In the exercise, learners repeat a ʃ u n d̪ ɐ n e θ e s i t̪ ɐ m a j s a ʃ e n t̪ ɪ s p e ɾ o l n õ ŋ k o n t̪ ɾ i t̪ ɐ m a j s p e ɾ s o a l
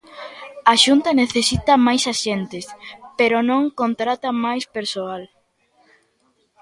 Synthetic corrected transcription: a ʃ u n t̪ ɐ n e θ e s i t̪ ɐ m a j s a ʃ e n t̪ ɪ s p e ɾ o n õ ŋ k o n t̪ ɾ a t̪ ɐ m a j s p e ɾ s o a l